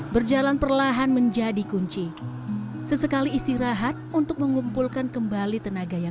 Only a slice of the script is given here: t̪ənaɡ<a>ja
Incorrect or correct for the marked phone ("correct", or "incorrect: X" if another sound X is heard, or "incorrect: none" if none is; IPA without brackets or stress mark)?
correct